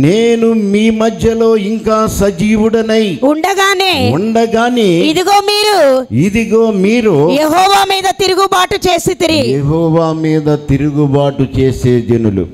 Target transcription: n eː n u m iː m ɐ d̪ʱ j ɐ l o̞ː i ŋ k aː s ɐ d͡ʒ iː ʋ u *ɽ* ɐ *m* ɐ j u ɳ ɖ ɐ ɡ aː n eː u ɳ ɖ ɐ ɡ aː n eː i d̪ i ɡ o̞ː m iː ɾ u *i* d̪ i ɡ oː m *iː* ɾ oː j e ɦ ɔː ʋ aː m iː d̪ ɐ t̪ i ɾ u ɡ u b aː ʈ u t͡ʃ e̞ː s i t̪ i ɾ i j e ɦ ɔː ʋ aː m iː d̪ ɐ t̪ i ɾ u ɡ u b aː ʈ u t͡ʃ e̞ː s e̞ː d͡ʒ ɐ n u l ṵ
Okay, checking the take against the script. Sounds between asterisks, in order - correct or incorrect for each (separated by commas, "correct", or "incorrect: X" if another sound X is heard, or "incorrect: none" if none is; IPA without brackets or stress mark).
correct, incorrect: n, correct, correct